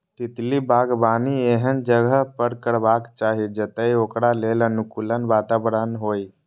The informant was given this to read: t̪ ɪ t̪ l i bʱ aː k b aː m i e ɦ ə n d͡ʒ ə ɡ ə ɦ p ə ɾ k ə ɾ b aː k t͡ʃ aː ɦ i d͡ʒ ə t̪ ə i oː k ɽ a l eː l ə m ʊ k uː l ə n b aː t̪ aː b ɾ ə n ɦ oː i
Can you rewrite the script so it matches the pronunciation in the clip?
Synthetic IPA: t̪ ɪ t̪ l i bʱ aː ɡ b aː n i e ɦ ə n d͡ʒ ə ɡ ə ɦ p ə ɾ k ə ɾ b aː k t͡ʃ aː ɦ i d͡ʒ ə t̪ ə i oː k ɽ a l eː l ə n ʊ k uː l ə n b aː t̪ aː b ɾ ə n ɦ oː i